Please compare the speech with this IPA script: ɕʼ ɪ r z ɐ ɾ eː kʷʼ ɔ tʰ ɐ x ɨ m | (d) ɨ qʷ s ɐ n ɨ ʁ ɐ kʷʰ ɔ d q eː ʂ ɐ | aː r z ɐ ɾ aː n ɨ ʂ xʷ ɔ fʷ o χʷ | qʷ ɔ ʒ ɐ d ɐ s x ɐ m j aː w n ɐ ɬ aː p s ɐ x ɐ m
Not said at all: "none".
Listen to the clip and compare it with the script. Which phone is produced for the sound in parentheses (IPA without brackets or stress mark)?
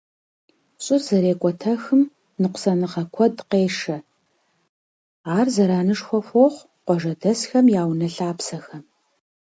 n